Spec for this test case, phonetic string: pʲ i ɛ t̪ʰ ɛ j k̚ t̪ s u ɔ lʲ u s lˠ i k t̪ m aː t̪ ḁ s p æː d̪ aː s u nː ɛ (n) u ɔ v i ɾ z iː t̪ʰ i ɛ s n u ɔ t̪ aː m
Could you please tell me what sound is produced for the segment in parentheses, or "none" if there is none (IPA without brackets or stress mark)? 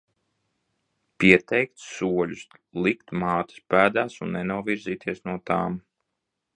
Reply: n